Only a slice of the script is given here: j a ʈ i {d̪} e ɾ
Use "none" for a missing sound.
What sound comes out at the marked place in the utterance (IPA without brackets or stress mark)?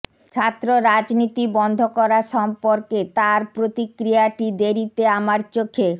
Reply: d̪